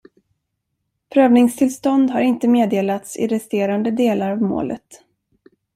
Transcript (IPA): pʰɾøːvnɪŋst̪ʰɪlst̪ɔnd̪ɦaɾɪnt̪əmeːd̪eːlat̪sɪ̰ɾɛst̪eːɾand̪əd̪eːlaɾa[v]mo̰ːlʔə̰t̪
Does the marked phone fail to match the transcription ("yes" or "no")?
no